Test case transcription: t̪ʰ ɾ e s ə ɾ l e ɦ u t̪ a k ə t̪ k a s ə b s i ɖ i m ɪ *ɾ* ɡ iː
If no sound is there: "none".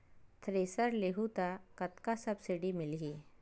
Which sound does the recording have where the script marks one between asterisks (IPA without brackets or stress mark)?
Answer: l